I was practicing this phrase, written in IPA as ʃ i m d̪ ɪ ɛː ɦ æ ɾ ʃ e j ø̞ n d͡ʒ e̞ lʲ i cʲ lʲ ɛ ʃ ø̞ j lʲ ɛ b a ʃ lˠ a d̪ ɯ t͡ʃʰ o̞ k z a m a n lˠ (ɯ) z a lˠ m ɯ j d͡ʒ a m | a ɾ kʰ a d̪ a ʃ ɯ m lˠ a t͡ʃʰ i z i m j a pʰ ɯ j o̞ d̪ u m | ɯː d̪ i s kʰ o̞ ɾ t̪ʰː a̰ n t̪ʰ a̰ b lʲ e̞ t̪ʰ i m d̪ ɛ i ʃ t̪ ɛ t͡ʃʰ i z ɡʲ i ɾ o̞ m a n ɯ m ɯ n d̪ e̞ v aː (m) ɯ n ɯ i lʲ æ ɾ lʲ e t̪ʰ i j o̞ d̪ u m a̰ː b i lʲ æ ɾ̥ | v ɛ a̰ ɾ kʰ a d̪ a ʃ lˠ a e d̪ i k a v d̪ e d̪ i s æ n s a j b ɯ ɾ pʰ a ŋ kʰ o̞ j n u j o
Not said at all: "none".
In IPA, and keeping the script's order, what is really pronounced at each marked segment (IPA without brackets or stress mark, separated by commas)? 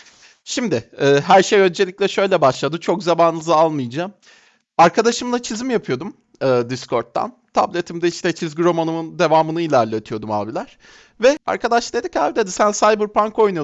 ɯ, m